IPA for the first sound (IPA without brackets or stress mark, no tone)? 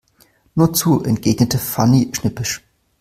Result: n